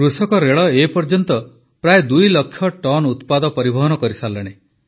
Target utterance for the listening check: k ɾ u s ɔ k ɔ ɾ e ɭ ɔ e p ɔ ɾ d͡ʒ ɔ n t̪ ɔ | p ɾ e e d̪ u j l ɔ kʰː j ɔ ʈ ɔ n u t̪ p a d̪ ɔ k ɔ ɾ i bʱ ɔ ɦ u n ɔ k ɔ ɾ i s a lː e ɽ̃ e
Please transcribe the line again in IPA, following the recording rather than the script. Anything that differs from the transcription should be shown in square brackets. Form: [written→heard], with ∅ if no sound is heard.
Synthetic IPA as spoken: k ɾ u s ɔ k ɔ ɾ e ɭ ɔ e p ɔ ɾ d͡ʒ ɔ n t̪ ɔ | p ɾ [e→a] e d̪ u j l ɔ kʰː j ɔ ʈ ɔ n u t̪ p a d̪ ɔ [k→p] ɔ ɾ i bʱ ɔ ɦ [u→ɔ] n ɔ k ɔ ɾ i s a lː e ɽ̃ e